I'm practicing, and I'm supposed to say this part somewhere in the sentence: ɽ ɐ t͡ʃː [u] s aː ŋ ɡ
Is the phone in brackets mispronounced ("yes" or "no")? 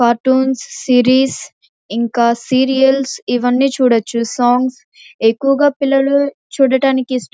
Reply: no